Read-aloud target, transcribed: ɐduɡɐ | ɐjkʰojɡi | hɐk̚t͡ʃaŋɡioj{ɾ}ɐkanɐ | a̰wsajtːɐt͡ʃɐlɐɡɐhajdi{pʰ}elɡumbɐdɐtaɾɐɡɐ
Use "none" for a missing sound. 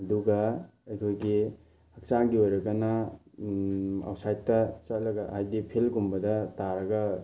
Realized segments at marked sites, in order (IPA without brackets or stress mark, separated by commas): ɾ, pʰ